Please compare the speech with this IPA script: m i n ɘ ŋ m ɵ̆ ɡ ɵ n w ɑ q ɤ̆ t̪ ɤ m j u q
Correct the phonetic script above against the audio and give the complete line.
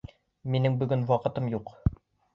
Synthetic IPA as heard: m i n ɘ ŋ b ɵ̆ ɡ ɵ n w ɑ q ɤ̆ t̪ ɤ m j u q